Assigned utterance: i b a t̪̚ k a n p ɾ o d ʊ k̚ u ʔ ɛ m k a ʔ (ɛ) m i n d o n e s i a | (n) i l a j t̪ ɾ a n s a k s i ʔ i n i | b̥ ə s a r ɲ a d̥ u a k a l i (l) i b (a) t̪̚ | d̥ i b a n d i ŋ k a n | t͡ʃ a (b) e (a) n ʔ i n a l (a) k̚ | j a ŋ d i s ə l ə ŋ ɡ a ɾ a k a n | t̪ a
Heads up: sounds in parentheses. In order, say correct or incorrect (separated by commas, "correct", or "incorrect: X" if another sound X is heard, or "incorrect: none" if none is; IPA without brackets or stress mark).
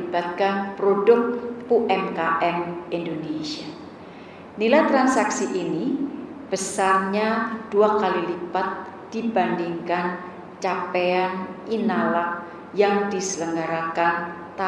correct, correct, correct, correct, incorrect: p, correct, correct